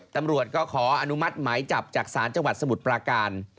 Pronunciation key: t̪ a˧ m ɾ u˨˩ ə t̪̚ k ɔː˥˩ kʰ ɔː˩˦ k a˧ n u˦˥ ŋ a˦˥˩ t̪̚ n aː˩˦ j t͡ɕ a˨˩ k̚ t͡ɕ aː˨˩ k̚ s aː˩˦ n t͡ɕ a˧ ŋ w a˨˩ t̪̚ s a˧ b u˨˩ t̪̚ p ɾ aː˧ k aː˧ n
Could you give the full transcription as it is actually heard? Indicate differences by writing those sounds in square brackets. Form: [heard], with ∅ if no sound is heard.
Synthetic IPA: t̪ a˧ m ɾ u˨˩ ə t̪̚ k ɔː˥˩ kʰ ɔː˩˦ [ʔ] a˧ n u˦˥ [m] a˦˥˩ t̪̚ [m] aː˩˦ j t͡ɕ a˨˩ [p̚] t͡ɕ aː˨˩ k̚ s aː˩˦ n t͡ɕ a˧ ŋ w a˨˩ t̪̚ s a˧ [m] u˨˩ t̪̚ p ɾ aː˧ k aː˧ n